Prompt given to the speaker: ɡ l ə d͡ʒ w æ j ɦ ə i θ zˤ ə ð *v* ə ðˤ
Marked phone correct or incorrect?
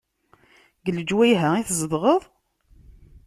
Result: incorrect